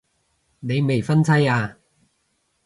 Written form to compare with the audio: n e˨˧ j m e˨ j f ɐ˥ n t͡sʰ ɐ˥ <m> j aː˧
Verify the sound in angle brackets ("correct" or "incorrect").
incorrect